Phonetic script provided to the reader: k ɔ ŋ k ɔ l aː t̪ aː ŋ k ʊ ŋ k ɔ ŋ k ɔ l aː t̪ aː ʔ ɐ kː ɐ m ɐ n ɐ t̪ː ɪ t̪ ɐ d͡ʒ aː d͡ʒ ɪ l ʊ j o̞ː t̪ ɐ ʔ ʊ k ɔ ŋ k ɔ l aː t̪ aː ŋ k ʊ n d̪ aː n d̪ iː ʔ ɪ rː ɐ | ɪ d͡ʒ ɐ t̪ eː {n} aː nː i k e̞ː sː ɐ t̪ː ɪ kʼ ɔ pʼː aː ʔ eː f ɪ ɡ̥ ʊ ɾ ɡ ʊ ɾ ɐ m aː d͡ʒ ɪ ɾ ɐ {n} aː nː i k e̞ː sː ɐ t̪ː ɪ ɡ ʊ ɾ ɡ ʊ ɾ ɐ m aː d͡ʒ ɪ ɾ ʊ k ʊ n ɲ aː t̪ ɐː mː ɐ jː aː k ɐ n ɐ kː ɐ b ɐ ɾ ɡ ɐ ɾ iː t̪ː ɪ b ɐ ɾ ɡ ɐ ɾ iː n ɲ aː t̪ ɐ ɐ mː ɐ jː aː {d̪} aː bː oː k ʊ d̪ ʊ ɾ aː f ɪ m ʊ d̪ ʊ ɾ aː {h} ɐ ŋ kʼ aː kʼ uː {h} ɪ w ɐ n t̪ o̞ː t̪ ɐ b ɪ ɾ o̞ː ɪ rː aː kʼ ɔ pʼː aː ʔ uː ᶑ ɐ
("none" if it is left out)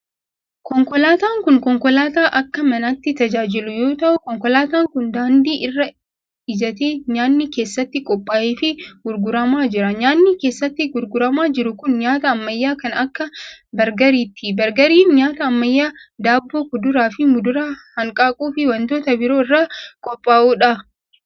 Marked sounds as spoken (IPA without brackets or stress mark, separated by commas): ɲ, ɲ, d̪, h, f